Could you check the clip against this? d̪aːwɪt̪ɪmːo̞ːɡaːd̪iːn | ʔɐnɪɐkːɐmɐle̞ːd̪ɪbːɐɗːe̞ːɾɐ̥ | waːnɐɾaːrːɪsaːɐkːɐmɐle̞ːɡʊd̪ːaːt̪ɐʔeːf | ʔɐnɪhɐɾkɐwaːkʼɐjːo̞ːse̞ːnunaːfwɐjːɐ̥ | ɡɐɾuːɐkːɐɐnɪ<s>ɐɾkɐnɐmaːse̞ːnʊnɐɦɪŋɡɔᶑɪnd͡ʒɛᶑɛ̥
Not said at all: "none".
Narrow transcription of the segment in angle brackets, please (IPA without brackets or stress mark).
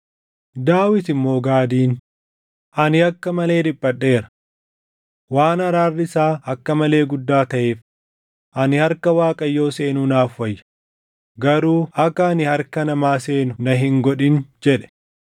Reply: h